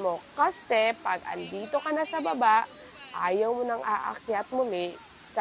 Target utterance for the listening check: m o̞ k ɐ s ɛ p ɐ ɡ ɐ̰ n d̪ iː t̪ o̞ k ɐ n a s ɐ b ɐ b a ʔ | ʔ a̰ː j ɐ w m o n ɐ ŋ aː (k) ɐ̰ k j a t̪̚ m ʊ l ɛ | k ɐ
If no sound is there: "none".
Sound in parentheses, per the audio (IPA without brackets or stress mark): ʔ